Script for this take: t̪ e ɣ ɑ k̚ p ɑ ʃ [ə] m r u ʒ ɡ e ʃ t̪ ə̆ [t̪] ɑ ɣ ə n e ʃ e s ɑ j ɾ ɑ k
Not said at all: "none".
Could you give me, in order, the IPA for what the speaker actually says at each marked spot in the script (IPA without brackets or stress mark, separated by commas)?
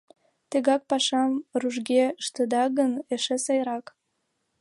ɑ, d̪